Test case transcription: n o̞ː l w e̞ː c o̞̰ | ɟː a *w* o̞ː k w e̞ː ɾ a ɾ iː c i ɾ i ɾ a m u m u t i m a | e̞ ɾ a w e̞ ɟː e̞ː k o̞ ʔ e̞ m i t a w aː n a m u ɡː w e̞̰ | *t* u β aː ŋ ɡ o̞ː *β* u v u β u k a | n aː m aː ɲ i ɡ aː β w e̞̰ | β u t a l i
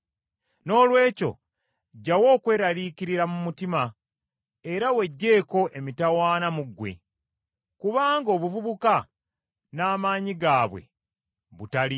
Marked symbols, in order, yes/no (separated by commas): yes, no, yes